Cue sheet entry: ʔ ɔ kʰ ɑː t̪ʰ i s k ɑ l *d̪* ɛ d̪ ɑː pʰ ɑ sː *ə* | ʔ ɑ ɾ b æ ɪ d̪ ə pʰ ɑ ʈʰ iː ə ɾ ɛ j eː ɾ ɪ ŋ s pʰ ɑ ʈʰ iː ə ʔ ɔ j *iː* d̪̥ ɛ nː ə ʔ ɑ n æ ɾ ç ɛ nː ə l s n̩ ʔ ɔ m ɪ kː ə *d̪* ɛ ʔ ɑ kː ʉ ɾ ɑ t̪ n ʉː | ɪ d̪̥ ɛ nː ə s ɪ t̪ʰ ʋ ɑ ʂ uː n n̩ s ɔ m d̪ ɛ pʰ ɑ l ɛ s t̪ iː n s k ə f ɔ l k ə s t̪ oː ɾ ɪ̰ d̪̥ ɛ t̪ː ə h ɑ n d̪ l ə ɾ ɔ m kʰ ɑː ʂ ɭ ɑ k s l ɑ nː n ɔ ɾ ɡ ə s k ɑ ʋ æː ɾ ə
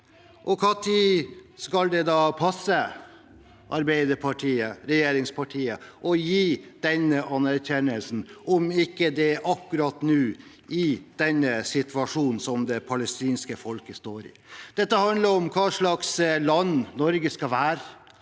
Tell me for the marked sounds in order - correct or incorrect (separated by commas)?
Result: correct, correct, correct, correct